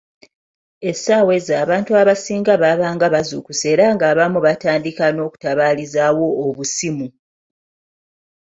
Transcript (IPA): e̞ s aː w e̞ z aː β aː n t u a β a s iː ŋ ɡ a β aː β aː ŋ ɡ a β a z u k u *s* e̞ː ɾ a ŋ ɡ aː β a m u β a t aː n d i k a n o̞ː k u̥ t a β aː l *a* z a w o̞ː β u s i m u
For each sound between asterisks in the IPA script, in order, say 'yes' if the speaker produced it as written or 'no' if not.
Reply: yes, no

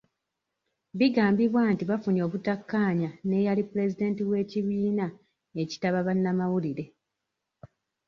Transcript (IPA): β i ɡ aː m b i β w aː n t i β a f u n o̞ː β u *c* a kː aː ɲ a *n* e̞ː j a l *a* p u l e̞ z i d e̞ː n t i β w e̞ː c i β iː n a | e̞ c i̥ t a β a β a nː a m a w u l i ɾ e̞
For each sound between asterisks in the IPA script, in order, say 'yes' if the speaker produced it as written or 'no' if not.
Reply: no, yes, no

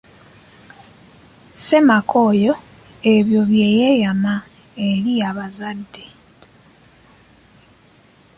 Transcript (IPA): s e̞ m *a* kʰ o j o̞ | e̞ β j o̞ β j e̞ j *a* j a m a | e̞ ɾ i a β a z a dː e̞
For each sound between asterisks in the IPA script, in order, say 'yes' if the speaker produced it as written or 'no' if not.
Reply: yes, no

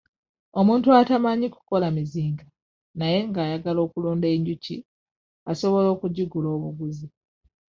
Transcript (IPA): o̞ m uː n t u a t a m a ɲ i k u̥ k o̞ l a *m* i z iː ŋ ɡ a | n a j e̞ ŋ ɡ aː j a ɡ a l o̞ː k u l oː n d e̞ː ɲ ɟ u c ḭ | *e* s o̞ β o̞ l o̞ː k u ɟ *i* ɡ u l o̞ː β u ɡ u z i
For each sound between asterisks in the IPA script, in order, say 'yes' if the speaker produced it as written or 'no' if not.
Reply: yes, no, yes

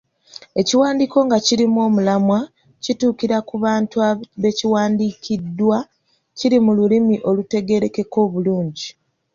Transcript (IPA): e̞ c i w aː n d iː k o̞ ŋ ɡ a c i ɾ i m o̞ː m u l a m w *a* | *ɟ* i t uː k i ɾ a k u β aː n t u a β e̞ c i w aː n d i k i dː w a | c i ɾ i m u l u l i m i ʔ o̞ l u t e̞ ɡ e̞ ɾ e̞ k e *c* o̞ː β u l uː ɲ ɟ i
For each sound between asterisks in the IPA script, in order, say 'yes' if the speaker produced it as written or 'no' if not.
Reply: yes, no, no

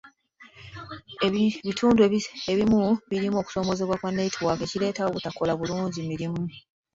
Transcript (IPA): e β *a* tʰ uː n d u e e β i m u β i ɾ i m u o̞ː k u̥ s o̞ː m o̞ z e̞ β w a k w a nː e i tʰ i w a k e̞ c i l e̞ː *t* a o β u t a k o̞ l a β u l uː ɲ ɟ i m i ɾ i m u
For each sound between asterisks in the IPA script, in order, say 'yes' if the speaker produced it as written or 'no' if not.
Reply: no, yes

